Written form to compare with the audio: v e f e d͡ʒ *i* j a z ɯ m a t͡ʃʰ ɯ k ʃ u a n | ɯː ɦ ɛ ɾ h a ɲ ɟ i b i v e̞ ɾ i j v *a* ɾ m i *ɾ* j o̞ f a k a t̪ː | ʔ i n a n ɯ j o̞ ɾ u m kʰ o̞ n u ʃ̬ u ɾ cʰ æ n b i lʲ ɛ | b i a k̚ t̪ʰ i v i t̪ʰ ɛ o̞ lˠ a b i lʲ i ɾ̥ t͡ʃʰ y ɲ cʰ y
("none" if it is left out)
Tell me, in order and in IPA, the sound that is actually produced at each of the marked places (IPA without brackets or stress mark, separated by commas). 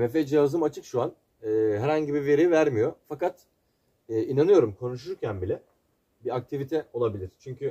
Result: i, æ, none